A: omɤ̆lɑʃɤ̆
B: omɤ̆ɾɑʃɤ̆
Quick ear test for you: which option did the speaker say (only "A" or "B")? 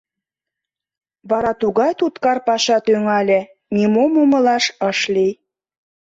A